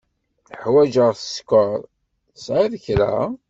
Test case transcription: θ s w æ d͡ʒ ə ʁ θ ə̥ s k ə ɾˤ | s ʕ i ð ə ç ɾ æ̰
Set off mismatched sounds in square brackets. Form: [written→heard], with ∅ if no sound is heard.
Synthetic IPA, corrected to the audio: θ [s→ħ] w æ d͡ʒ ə ʁ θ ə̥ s k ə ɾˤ | s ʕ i ð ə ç ɾ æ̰